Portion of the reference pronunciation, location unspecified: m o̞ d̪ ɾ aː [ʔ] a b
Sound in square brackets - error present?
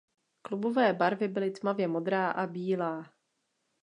no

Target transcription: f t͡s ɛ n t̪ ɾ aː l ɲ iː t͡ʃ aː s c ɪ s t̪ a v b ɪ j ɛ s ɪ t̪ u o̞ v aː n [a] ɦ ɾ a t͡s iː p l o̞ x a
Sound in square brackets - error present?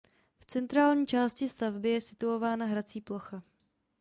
no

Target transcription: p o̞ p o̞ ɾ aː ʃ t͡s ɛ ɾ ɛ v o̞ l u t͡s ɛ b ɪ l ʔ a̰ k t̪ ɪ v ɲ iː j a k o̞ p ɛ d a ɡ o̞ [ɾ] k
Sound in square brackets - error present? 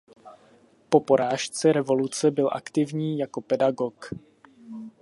yes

